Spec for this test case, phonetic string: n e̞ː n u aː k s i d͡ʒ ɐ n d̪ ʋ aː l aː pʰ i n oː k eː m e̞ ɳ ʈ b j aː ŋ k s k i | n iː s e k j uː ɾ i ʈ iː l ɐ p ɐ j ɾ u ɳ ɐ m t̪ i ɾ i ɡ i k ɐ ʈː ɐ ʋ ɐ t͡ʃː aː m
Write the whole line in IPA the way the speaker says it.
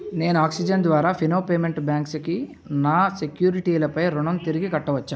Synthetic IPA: n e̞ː n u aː k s i d͡ʒ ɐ n d̪ ʋ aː ɾ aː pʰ i n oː p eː m e̞ ɳ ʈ b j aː ŋ k s k i | n aː s e k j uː ɾ i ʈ iː l ɐ p ɐ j ɾ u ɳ ɐ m t̪ i ɾ i ɡ i k ɐ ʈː ɐ ʋ ɐ t͡ʃː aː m